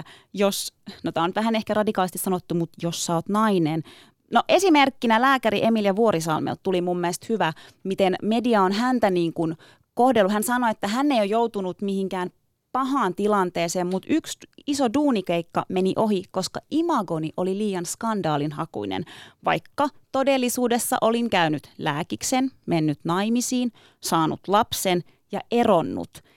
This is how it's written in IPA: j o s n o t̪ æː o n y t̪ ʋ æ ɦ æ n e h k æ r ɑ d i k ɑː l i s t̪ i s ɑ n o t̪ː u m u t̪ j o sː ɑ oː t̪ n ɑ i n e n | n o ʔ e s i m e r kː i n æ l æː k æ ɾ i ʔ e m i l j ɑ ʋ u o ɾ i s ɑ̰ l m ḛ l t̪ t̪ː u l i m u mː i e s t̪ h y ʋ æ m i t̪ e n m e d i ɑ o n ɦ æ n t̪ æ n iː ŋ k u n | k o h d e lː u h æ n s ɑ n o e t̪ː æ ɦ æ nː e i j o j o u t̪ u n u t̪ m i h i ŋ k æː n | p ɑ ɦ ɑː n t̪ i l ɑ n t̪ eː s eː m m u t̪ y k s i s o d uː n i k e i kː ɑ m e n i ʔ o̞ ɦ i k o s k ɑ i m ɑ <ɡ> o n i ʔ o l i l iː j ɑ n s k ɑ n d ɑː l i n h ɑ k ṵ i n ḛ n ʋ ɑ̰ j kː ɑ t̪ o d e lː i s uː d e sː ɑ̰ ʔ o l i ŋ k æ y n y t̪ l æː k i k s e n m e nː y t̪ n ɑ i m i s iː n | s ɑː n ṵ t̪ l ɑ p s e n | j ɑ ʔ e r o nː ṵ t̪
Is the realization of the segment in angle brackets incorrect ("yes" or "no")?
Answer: no